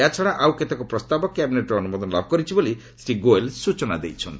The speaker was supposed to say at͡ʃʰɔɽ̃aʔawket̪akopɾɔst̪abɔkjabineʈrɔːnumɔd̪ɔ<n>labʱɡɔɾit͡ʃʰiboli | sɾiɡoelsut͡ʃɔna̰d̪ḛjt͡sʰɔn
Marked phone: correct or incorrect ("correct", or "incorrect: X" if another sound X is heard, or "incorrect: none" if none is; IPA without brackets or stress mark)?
correct